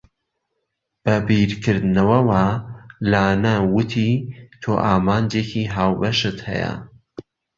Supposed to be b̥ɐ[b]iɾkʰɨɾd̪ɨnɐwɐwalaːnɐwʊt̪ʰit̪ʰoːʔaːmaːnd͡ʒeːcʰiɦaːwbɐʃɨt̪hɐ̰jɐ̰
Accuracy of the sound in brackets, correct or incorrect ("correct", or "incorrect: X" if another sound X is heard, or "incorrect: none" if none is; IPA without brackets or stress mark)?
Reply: correct